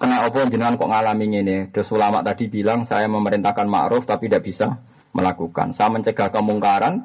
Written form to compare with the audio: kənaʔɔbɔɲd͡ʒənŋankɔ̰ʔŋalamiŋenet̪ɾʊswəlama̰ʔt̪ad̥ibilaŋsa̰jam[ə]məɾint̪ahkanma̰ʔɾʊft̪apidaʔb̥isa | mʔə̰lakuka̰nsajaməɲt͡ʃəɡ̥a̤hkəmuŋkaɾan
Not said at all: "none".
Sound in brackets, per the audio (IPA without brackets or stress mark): ə